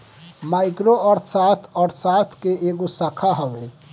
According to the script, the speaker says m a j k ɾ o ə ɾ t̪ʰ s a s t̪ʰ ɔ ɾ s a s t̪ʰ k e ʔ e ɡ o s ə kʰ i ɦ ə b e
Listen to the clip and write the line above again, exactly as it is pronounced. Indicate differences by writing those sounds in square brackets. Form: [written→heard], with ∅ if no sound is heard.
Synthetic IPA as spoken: m a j k ɾ o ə ɾ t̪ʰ s a s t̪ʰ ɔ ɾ s a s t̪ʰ k e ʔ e ɡ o s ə kʰ [i→a] ɦ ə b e